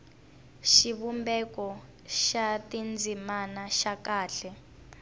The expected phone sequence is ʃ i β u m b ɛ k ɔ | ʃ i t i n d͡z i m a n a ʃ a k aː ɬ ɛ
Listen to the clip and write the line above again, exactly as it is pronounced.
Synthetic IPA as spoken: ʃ i β u m b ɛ k ɔ | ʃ a t i n d͡z i m a n a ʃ a k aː ɬ ɛ